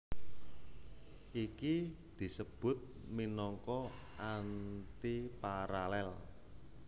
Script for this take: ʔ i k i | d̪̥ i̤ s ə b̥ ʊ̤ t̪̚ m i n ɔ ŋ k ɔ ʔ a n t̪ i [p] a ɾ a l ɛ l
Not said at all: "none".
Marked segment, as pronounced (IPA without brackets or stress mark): p